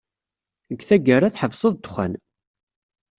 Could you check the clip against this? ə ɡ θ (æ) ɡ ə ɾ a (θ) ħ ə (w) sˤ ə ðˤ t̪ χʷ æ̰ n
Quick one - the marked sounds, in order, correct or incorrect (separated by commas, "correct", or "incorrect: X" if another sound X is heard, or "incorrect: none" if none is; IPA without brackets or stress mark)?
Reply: correct, correct, incorrect: v